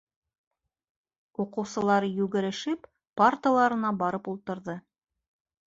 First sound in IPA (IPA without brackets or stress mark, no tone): u